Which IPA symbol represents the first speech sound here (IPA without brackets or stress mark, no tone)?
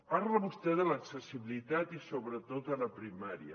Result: p